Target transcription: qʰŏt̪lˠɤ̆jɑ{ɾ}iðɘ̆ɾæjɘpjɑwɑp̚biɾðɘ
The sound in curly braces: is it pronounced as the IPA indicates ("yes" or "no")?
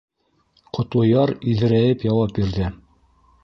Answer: yes